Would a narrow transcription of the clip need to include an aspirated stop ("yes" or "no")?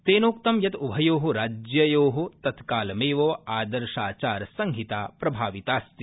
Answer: no